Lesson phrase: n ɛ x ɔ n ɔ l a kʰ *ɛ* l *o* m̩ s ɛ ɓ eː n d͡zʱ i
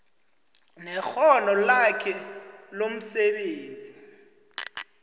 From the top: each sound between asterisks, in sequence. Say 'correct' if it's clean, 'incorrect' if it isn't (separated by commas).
correct, correct